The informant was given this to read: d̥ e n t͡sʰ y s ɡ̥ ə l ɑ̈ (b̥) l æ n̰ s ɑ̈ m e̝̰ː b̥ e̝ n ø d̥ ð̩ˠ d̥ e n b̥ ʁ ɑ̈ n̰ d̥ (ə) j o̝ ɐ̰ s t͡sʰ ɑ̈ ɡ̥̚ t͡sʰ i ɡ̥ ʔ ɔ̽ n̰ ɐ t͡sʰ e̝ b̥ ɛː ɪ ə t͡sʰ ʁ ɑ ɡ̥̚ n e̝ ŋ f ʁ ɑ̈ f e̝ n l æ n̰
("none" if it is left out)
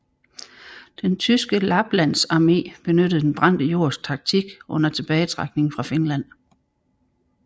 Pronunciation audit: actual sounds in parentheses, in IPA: b̥, ə

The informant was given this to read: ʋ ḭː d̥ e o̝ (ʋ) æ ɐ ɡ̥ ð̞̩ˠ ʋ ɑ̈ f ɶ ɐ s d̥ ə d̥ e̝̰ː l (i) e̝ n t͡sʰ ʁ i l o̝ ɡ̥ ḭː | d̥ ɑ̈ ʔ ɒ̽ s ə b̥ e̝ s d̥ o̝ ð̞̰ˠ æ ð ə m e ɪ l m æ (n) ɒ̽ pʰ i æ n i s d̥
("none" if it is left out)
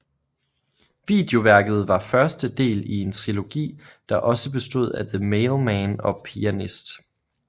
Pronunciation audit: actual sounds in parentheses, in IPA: ʋ, i, n

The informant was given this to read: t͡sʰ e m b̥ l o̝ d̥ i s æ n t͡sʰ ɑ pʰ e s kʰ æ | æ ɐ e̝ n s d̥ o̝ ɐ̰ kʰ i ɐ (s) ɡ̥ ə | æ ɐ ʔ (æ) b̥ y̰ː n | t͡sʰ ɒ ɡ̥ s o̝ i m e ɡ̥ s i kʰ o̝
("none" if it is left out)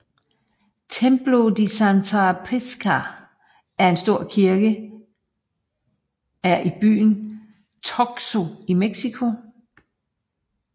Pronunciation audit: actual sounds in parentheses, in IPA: none, i

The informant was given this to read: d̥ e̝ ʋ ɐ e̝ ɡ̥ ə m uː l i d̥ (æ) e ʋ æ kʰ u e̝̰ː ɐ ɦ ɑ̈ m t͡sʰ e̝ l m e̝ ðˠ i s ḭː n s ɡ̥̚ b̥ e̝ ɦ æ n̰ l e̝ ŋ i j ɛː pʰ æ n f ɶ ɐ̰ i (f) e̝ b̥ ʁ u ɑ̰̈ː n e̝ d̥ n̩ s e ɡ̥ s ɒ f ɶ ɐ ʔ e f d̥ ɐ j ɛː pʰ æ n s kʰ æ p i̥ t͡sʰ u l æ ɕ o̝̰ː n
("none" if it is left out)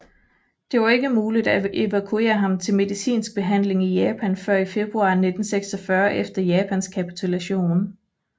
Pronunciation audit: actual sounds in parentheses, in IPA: æ, f

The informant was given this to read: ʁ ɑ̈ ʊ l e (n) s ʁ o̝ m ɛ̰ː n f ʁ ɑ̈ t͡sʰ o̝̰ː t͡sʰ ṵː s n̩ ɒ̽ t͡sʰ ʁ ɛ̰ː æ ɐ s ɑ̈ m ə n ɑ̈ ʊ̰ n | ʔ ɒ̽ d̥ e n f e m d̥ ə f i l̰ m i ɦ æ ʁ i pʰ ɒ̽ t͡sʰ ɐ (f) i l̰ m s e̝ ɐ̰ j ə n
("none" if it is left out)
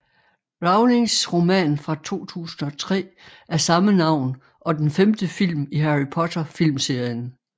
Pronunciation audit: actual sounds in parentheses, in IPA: ŋ, f

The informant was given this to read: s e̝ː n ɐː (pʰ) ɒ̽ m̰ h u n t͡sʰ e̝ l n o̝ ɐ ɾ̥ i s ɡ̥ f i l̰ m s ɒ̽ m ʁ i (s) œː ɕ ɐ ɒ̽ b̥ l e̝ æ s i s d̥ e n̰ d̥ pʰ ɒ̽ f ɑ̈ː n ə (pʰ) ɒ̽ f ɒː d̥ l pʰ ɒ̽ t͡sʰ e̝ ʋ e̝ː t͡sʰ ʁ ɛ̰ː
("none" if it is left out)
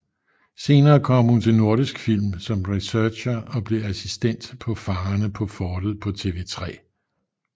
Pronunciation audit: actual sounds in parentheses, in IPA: kʰ, s, pʰ

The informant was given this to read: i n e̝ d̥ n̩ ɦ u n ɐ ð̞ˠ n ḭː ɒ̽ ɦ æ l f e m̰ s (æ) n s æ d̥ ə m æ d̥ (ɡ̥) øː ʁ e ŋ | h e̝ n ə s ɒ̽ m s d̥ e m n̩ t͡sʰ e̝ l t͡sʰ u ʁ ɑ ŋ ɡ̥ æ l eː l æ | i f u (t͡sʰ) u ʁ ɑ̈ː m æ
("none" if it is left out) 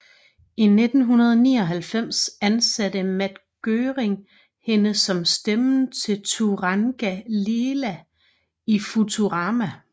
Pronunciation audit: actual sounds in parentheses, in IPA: æ, ɡ̥, t͡sʰ

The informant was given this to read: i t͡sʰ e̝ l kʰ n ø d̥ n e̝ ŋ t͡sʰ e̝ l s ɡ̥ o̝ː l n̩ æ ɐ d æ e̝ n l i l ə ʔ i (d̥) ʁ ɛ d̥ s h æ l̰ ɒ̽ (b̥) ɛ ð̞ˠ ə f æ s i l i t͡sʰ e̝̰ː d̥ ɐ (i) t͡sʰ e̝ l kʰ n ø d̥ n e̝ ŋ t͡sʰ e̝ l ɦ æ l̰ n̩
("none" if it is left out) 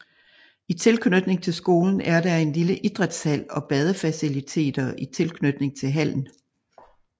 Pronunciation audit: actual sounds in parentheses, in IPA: d̥, b̥, i

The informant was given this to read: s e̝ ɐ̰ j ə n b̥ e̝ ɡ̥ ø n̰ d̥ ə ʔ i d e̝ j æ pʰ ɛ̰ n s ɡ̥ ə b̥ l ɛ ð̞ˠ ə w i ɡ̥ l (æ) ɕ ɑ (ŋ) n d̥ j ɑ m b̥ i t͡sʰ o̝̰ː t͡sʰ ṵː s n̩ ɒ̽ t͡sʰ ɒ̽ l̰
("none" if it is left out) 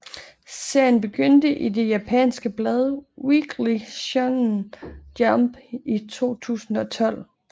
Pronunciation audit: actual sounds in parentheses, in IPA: i, ŋ

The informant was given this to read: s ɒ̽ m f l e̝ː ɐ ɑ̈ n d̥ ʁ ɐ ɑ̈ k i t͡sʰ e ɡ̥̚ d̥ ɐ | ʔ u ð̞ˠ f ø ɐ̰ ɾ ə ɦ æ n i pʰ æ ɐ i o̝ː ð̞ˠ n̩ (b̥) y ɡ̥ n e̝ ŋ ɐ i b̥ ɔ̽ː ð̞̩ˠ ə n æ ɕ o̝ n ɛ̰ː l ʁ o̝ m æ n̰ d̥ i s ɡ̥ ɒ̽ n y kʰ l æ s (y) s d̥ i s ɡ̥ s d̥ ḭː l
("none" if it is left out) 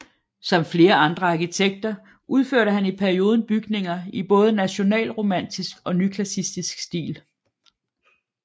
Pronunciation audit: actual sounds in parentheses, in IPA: b̥, i

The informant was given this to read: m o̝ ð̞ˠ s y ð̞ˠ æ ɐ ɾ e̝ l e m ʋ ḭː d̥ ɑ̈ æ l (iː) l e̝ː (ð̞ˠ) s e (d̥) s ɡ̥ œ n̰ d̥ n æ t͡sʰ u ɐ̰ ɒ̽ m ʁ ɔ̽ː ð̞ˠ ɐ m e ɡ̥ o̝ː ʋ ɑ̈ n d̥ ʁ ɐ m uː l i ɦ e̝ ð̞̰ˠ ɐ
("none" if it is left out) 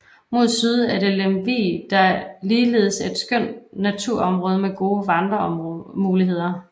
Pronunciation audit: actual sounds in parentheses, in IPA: iː, ð̞ˠ, d̥

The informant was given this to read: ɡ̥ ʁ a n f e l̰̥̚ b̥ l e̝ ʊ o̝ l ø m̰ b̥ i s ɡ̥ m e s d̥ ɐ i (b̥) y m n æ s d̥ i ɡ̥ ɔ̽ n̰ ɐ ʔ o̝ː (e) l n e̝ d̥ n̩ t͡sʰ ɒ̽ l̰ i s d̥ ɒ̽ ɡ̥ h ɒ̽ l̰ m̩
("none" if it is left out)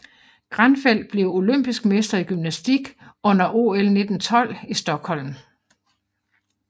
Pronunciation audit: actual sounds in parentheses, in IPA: ɡ̥, e

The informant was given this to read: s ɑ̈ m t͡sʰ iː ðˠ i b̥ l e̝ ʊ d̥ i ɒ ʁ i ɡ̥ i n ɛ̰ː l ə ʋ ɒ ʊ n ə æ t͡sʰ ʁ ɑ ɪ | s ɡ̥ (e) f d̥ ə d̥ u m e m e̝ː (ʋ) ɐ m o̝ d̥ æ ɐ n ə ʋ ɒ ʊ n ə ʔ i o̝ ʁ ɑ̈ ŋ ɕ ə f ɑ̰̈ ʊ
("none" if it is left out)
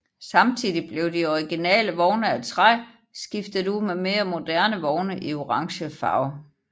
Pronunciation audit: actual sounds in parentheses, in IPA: i, none

